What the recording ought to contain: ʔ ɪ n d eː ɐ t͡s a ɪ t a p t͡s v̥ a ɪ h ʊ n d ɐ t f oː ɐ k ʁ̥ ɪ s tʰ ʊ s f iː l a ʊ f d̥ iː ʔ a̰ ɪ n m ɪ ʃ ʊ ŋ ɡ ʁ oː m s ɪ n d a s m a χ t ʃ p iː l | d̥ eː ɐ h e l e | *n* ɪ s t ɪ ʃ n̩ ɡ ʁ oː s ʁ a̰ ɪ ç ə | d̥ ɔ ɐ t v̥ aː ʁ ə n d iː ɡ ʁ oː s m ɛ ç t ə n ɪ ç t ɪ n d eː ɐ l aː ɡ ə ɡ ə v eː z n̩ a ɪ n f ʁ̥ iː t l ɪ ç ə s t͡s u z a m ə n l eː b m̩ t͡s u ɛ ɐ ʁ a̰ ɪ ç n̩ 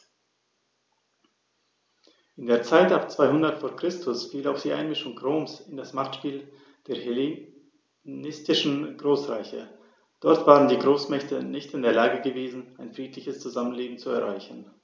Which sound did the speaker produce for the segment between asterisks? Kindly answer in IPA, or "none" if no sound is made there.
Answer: n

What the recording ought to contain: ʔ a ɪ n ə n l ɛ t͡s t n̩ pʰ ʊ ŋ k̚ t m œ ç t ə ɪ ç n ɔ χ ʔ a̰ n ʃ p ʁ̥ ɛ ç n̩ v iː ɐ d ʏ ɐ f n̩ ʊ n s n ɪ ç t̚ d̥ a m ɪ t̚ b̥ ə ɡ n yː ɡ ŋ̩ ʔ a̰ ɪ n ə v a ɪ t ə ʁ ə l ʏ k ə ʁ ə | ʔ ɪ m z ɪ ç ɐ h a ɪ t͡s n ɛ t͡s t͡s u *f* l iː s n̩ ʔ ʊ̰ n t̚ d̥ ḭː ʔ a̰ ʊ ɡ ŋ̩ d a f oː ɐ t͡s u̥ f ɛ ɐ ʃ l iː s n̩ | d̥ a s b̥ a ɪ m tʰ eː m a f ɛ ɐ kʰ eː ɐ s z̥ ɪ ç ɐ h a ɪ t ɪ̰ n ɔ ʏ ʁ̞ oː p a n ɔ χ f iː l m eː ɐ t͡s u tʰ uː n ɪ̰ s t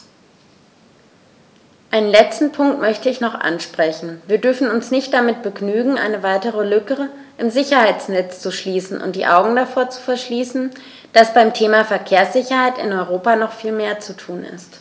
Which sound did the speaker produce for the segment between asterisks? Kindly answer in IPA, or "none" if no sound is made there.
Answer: ʃ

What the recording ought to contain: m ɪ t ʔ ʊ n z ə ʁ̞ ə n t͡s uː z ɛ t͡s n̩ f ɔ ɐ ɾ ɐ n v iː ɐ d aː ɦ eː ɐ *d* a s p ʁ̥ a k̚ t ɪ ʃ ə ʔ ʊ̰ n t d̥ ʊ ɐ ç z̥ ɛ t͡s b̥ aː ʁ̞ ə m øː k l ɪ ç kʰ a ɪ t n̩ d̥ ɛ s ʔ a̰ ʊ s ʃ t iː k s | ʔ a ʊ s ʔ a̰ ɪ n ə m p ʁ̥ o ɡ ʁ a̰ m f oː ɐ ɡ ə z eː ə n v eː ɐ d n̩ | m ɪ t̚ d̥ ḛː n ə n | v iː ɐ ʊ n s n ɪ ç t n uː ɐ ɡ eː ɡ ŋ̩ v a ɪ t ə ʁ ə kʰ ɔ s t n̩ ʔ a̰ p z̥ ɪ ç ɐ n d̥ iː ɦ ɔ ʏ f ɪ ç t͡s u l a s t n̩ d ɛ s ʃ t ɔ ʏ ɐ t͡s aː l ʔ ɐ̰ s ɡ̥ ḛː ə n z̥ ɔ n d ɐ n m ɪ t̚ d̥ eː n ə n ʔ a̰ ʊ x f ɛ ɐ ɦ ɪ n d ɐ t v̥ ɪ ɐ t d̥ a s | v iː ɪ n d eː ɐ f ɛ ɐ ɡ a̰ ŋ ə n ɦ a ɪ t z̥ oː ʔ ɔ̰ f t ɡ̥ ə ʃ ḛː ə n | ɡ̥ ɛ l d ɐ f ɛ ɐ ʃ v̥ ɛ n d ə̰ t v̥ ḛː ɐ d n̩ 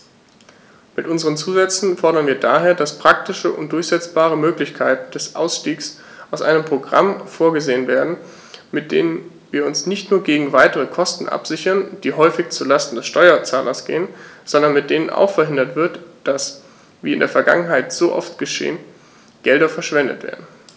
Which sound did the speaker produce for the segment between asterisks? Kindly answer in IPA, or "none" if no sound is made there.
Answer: d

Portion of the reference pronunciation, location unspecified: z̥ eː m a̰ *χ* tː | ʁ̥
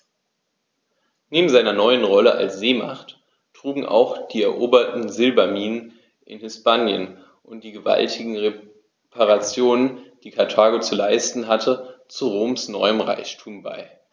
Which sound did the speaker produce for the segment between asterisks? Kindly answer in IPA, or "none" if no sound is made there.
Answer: χ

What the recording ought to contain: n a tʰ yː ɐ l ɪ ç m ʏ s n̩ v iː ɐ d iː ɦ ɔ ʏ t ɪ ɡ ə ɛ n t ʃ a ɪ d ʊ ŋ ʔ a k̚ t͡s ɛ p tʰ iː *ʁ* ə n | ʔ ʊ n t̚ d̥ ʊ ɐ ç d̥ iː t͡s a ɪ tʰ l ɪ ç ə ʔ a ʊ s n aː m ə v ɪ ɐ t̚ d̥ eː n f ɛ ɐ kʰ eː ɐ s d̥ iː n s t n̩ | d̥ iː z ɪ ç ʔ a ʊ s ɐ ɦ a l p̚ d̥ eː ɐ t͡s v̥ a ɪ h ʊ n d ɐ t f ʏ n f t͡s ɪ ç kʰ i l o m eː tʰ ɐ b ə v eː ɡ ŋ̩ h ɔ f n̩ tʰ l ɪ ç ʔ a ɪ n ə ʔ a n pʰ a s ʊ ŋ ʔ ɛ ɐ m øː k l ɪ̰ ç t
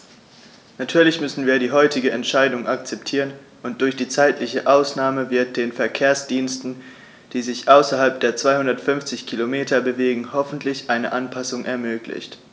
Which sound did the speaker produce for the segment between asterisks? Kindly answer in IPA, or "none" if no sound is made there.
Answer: ʁ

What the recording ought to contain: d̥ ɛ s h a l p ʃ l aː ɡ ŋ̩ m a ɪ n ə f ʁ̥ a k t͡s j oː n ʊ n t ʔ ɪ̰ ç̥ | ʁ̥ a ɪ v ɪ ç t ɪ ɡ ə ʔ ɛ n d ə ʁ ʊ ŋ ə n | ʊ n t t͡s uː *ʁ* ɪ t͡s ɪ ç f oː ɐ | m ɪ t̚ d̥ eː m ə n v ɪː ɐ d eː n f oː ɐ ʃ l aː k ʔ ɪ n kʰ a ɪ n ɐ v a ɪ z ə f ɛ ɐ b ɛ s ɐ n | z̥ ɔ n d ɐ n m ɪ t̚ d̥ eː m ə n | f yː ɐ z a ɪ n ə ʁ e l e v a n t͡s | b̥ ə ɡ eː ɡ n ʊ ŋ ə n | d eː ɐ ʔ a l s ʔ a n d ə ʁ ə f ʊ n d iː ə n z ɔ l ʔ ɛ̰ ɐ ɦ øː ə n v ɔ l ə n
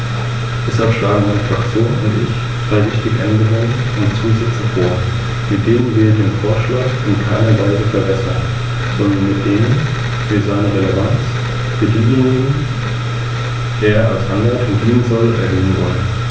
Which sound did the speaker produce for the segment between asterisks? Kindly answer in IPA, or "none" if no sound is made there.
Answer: z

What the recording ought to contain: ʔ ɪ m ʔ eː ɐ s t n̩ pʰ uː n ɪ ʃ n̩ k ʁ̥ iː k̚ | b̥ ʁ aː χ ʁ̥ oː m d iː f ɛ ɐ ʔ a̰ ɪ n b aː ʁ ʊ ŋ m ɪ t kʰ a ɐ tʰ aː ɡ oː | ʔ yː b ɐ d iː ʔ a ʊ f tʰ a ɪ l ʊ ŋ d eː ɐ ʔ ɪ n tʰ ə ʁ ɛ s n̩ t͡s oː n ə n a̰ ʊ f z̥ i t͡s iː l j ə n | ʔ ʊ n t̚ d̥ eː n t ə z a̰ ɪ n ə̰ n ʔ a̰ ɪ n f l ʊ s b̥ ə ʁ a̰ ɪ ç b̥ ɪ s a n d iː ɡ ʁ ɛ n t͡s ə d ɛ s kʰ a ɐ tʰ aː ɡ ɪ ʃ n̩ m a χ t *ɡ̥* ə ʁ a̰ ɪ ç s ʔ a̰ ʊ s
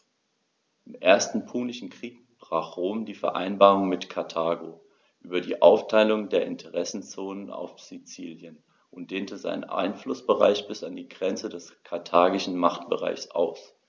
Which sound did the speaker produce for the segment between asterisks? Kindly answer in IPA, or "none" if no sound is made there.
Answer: b̥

